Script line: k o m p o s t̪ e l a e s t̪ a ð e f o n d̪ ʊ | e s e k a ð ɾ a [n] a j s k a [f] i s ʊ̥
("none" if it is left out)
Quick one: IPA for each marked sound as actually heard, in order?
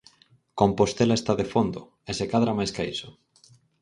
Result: m, none

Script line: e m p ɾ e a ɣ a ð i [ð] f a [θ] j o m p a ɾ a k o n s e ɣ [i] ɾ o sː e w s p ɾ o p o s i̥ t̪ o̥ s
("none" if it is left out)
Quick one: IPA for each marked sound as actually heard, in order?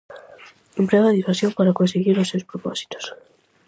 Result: none, s, i

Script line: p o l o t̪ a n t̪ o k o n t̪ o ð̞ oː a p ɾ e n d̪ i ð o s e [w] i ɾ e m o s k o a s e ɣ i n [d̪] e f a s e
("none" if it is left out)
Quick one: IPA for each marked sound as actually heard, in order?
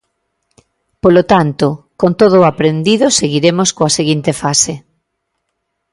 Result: ɣ, t̪

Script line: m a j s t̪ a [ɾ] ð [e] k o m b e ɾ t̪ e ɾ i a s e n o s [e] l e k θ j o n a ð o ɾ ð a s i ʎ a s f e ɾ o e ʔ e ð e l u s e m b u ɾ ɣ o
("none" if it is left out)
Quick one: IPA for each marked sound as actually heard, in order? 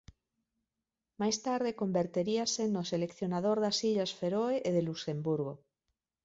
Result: ɾ, e, e

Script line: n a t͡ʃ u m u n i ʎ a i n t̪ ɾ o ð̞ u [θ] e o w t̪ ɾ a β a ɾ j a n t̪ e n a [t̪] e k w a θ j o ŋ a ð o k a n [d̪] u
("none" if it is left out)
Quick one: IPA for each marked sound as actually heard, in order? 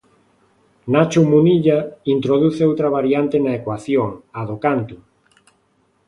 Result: θ, none, t̪

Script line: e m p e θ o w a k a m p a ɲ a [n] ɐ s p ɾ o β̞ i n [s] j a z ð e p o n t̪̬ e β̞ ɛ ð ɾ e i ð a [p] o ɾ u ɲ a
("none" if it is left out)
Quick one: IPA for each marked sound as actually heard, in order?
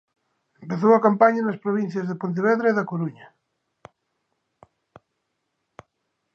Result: n, θ, k

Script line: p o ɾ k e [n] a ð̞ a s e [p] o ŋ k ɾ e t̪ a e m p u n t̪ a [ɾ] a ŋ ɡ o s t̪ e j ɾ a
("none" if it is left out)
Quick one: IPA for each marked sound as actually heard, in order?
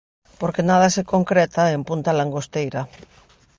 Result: n, k, l

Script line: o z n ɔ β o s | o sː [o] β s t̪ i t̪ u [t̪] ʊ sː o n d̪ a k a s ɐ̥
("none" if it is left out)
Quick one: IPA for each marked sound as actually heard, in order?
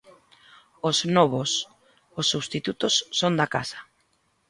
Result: u, t̪

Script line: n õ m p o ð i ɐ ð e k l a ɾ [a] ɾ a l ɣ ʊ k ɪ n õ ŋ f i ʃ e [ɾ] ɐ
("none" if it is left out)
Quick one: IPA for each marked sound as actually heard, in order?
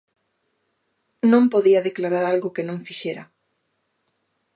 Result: a, ɾ

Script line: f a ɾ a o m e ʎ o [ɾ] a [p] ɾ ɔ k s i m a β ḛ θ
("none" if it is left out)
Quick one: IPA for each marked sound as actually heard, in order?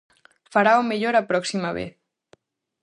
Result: ɾ, p

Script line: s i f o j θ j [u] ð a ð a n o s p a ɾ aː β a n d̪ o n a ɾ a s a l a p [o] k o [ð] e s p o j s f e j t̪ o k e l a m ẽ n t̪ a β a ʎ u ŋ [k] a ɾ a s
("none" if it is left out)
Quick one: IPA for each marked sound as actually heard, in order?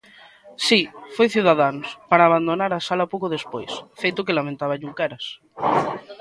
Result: u, o, ð, k

